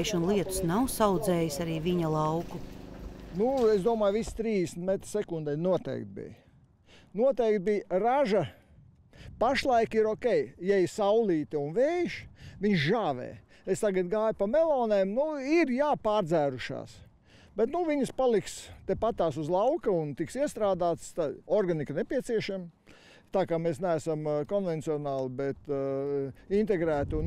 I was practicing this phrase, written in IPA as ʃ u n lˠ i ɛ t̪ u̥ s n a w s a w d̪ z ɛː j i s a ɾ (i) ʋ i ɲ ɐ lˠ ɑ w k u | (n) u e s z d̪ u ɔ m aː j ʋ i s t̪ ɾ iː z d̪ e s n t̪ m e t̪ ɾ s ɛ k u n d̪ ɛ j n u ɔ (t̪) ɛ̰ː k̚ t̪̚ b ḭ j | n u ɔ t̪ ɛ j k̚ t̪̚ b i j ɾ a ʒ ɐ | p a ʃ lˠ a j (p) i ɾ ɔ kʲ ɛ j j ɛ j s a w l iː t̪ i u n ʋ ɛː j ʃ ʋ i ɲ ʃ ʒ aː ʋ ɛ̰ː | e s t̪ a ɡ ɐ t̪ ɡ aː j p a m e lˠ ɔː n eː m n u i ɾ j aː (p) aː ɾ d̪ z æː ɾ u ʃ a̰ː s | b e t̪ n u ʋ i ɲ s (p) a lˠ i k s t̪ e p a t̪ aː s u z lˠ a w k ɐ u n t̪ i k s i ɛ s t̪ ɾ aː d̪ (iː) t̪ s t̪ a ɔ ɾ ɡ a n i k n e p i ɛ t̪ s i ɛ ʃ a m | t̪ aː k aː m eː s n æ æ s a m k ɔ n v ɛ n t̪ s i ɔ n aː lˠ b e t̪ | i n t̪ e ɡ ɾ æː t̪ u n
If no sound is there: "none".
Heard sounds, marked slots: iː, n, t̪, k, p, p, aː

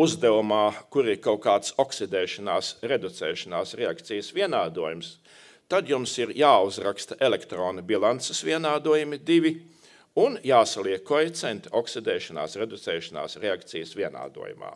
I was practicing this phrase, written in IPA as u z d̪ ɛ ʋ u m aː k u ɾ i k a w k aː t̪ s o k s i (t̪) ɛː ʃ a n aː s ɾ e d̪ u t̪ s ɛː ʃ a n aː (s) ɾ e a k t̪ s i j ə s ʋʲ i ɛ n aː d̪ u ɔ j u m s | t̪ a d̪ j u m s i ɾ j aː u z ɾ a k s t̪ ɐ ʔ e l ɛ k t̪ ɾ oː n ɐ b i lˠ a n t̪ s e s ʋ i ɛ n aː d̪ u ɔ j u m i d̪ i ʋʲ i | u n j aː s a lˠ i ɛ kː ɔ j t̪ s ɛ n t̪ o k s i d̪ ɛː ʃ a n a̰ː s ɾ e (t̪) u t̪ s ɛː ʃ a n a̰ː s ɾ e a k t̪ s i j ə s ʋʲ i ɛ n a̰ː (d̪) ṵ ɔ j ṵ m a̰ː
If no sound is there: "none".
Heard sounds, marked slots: d̪, s, d̪, d̪

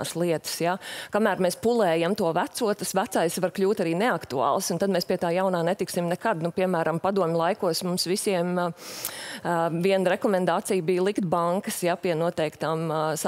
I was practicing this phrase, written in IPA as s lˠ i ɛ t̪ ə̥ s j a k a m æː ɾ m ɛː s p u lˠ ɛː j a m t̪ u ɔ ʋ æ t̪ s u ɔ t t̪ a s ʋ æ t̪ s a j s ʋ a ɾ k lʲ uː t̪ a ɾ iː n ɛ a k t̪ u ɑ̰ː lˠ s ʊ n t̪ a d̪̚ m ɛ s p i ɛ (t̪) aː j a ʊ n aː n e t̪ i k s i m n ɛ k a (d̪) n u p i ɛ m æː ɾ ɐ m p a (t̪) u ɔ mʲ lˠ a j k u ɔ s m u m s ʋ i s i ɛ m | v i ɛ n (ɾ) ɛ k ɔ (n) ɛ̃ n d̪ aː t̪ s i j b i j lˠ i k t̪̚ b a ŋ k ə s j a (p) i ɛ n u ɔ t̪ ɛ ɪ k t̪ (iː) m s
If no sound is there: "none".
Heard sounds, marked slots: t̪, d̪, d̪, ɾ, m, p, aː

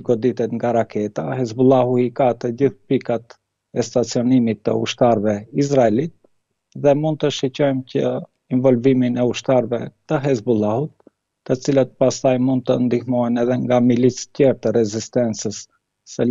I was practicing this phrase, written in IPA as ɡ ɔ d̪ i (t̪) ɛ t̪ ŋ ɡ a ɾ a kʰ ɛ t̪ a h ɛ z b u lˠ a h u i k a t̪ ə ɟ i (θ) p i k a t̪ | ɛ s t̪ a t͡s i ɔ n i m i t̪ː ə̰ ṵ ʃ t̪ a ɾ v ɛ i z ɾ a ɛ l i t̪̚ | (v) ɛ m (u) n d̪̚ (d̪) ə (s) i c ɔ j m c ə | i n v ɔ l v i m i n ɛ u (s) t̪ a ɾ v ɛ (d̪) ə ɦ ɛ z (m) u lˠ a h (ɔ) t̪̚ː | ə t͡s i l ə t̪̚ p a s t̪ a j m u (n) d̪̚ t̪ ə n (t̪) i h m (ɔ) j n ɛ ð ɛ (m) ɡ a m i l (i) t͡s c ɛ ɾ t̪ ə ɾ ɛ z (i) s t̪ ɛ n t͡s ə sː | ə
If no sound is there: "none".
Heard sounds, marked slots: t̪, θ, ð, u, t̪, ʃ, ʃ, t̪, b, u, n, d̪, ɔ, ŋ, i, i

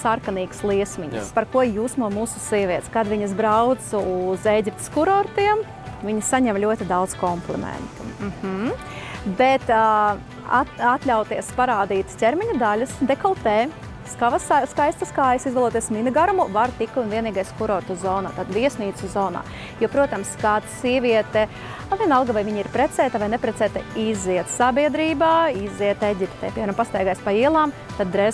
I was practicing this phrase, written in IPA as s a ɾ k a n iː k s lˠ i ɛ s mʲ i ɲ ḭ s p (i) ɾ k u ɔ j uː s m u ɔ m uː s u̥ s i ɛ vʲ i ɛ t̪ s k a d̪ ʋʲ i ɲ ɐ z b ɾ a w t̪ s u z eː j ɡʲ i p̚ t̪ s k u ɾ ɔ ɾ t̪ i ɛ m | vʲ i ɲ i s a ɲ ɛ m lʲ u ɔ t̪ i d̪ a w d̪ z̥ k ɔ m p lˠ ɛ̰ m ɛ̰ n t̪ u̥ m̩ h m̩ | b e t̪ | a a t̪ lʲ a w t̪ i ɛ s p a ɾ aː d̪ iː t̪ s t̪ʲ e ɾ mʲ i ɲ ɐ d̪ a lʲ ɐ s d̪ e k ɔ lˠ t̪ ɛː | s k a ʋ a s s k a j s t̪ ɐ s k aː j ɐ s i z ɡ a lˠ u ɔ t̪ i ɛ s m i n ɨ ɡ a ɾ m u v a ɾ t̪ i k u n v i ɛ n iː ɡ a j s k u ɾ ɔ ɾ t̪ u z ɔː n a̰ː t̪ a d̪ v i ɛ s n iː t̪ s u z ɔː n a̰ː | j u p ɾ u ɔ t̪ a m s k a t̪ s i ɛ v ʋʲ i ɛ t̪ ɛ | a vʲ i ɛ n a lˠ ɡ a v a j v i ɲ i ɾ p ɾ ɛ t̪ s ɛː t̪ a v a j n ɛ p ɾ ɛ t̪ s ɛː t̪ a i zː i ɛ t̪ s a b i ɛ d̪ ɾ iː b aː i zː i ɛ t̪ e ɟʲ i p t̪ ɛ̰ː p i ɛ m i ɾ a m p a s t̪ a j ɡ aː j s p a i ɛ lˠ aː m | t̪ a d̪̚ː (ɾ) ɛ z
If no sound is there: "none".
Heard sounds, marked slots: a, ɾ

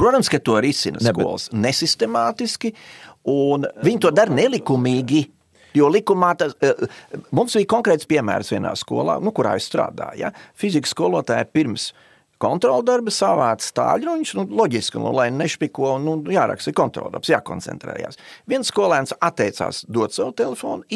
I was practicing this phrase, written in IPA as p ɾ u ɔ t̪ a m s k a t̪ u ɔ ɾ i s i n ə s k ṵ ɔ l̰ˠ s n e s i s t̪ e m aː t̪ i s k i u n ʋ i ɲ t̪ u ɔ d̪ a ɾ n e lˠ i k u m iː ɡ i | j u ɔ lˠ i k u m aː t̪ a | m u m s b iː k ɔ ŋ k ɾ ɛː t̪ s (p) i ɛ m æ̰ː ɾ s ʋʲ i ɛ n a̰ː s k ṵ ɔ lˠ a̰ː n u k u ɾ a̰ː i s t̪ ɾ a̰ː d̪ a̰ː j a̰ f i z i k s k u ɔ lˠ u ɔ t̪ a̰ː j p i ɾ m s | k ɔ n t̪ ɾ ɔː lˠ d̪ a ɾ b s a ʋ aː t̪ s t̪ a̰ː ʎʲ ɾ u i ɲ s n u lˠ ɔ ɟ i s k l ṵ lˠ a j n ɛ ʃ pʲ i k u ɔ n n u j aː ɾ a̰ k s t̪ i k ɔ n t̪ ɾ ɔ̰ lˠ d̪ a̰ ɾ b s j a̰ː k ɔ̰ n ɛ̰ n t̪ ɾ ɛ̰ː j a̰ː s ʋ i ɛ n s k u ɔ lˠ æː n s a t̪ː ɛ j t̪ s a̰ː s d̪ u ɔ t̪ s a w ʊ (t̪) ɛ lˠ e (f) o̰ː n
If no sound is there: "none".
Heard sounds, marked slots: p, t̪, f

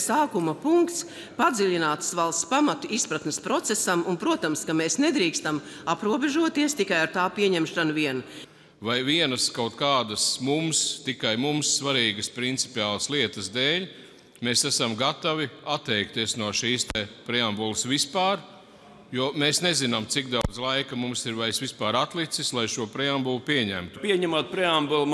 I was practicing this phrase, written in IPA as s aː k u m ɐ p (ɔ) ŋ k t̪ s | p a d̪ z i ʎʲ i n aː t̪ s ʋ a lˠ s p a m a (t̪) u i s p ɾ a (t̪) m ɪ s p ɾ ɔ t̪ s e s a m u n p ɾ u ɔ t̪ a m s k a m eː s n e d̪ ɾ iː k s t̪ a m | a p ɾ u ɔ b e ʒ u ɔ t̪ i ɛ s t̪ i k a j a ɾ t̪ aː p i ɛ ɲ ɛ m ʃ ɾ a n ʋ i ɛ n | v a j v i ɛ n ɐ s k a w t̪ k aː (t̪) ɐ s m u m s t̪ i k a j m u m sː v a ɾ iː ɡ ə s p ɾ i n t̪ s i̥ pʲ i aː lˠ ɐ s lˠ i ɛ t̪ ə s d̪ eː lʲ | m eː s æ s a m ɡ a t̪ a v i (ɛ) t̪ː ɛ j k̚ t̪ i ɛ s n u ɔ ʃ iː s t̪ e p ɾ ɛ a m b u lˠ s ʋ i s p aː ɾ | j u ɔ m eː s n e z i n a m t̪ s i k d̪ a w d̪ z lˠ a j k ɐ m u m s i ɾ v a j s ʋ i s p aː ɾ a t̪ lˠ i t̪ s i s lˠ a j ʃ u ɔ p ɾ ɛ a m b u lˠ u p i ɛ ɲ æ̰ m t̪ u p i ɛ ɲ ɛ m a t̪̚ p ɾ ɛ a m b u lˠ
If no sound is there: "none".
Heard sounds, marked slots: u, t̪, t̪, d̪, a

